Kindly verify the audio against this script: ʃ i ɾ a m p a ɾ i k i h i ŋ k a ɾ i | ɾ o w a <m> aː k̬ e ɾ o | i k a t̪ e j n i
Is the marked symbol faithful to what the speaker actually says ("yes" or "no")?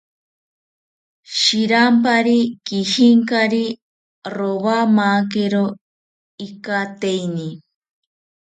yes